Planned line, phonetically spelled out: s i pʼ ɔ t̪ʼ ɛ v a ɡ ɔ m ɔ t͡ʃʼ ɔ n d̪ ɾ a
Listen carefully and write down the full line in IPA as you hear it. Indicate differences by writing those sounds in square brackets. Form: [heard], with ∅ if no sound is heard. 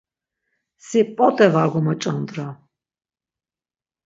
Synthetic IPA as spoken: s i pʼ ɔ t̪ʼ ɛ v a ɡ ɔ m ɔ t͡ʃʼ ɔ n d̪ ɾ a